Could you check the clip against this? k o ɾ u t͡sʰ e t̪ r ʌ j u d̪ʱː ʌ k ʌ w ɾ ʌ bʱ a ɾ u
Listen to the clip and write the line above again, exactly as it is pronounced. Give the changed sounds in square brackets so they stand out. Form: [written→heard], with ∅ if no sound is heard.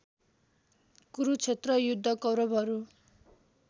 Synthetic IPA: k [o→u] ɾ u t͡sʰ e t̪ r ʌ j u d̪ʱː ʌ k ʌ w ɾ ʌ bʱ [a→ʌ] ɾ u